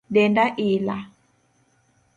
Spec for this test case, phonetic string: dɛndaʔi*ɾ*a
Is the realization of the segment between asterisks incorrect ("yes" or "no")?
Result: yes